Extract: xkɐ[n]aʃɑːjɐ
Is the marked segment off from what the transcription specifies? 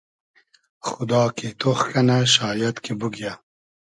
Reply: no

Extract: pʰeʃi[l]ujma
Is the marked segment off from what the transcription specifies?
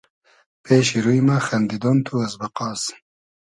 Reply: yes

